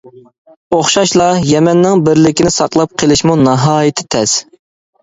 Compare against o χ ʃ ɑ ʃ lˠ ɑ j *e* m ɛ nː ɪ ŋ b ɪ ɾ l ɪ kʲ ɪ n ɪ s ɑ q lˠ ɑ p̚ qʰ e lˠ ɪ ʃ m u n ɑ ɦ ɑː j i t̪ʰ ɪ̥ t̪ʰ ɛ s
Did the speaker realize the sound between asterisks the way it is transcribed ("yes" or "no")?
no